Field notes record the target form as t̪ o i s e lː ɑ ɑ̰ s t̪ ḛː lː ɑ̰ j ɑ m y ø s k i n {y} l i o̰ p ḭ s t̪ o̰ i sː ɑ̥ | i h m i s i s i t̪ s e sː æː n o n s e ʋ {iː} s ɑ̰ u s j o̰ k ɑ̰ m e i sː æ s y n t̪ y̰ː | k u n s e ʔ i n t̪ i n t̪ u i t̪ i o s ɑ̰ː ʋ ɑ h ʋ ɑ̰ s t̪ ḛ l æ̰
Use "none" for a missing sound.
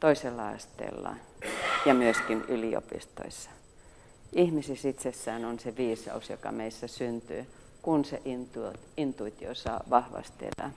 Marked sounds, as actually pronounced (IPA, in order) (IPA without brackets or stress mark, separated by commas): y, iː